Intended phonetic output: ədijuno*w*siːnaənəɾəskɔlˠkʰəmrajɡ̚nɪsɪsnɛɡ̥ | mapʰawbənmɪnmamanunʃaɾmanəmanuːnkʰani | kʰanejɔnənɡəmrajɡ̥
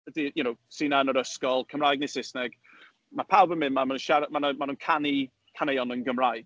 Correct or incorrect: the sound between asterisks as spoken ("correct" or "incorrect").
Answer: correct